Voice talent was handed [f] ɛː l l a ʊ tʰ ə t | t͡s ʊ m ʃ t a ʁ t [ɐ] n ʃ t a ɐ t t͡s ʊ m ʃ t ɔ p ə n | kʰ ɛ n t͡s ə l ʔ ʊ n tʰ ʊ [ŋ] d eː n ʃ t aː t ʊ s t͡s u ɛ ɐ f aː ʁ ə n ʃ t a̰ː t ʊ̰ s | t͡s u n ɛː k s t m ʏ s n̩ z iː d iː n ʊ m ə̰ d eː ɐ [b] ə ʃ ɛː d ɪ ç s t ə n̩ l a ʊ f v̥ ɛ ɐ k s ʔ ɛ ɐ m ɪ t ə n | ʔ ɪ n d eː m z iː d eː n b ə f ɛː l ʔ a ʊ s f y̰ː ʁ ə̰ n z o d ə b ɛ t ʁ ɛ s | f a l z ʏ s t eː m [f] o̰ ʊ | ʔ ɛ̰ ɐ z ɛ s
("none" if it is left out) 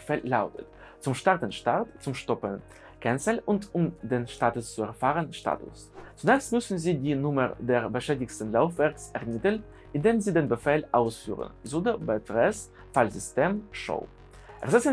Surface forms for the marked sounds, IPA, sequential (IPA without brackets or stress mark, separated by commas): f, ə, m, b, ʃ